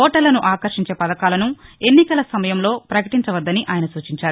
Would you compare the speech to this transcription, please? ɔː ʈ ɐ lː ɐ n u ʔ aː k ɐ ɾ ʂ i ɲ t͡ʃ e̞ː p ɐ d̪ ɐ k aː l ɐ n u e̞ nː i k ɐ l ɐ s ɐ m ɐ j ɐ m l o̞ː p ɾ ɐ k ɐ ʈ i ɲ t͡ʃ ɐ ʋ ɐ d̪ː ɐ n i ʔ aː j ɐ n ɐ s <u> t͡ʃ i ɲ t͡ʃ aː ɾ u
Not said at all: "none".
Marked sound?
uː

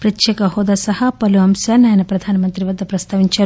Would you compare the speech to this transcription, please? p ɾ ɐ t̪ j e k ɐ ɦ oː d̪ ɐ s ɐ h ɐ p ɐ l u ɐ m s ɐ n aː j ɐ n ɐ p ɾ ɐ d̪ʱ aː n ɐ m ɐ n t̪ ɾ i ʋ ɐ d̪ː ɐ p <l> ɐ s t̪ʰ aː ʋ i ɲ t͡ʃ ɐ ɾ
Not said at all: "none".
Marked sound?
ɾ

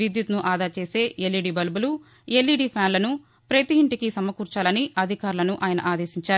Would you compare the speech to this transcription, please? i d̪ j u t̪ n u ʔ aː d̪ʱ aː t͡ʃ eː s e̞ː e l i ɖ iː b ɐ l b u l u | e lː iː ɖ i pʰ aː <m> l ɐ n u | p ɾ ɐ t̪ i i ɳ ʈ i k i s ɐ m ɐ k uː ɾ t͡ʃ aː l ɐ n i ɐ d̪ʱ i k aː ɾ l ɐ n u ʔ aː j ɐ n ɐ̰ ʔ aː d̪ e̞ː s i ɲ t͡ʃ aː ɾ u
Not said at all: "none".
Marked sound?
n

